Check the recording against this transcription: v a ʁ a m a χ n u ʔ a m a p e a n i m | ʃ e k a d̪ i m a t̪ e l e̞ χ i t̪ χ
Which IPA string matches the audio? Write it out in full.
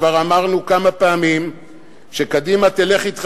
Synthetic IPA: v a ʁ a m a ʁ n u k a m a p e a m i m | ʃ e k a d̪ i m a t̪ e l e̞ χ i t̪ χ